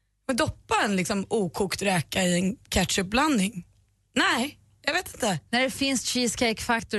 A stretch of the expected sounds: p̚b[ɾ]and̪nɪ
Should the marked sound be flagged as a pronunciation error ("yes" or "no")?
yes